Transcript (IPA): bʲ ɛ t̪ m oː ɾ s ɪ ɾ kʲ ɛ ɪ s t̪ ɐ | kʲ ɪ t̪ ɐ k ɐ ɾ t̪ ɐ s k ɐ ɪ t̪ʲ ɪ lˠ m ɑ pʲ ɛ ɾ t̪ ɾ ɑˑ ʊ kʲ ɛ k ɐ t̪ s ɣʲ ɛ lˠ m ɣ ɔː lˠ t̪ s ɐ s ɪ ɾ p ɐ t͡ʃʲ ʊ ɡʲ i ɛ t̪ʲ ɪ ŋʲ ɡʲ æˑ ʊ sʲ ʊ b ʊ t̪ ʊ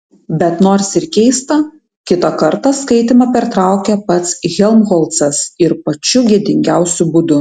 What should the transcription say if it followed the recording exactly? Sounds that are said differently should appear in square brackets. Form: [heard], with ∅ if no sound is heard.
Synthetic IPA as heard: bʲ ɛ t̪ [n] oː ɾ s ɪ ɾ kʲ ɛ ɪ s t̪ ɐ | kʲ ɪ t̪ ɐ k ɐ ɾ t̪ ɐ s k ɐ ɪ t̪ʲ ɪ [∅] m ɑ pʲ ɛ ɾ t̪ ɾ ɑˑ ʊ kʲ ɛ [p] ɐ t̪ s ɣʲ ɛ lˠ m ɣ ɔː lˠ t̪ s ɐ s ɪ ɾ p ɐ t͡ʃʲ ʊ ɡʲ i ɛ [d̪ʲ] ɪ ŋʲ ɡʲ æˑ ʊ sʲ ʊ b ʊ [d̪] ʊ